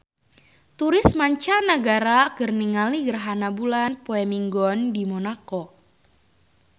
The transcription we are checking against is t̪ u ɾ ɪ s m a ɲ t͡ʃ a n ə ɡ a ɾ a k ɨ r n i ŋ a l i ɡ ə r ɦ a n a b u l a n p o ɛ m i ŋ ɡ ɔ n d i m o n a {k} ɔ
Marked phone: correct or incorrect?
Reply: correct